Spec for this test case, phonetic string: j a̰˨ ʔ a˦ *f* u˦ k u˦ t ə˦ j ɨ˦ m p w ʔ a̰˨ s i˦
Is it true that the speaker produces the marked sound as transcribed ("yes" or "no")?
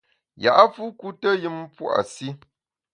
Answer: yes